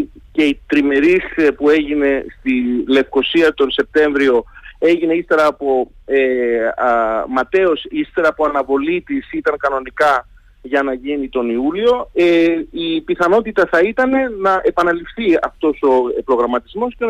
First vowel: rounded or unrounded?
unrounded